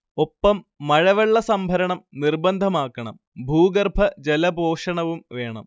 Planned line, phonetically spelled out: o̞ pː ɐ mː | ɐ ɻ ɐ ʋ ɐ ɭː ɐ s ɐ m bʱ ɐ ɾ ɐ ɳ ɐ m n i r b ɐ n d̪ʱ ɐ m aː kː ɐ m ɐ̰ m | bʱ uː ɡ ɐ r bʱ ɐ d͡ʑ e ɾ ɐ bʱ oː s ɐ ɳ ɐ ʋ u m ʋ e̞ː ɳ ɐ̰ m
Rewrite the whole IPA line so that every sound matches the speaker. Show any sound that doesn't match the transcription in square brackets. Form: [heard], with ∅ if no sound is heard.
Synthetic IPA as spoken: o̞ pː ɐ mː | ɐ ɻ ɐ ʋ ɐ ɭː ɐ s ɐ m bʱ ɐ ɾ ɐ ɳ ɐ m n i r b ɐ n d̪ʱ ɐ m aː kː ɐ [ɳ] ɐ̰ m | bʱ uː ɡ ɐ r bʱ ɐ d͡ʑ e [l] ɐ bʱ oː [ʂ] ɐ ɳ ɐ ʋ u m ʋ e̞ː ɳ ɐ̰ m